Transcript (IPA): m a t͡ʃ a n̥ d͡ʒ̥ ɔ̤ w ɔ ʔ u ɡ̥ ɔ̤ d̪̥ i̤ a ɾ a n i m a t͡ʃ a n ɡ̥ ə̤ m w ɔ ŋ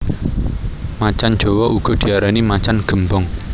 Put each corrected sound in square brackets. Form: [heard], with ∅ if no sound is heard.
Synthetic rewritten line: m a t͡ʃ a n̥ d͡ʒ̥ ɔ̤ w ɔ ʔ u ɡ̥ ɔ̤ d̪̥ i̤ a ɾ a n i m a t͡ʃ a n ɡ̥ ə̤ m [b] ɔ ŋ